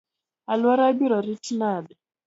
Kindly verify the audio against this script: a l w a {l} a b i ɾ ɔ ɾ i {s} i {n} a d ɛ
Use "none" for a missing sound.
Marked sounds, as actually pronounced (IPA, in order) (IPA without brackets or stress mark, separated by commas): ɾ, t, n